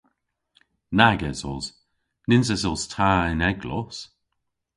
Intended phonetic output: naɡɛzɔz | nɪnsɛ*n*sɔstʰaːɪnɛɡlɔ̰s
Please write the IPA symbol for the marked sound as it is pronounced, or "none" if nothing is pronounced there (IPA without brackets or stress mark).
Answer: none